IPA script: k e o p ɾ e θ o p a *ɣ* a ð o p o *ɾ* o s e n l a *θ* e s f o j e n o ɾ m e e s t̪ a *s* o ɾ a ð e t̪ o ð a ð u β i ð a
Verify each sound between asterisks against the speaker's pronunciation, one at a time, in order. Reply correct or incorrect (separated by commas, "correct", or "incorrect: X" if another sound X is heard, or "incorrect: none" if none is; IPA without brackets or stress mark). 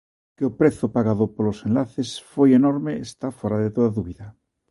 correct, incorrect: l, correct, incorrect: f